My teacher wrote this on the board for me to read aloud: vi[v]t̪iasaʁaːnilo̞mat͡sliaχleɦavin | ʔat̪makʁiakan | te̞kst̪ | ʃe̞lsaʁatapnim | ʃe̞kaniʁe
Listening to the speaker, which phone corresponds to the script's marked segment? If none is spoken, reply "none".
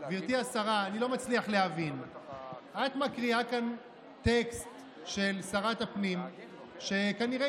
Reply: ʁ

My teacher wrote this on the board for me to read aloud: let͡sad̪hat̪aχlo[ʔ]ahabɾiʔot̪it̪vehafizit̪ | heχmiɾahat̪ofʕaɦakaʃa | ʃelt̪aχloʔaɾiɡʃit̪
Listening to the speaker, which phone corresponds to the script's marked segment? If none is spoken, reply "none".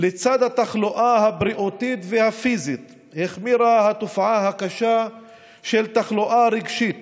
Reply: ʔ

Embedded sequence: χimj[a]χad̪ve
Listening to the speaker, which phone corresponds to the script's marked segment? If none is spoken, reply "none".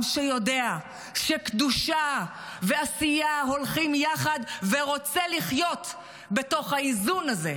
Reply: a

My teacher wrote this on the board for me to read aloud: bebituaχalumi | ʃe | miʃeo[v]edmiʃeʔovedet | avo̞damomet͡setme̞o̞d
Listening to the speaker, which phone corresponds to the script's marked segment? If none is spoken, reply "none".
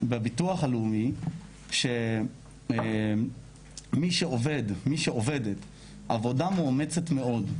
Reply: v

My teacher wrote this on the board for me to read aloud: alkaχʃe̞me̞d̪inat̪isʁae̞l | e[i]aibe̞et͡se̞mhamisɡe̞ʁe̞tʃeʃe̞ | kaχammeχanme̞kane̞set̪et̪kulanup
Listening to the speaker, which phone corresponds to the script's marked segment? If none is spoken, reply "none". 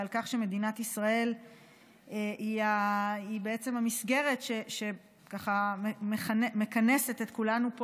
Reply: i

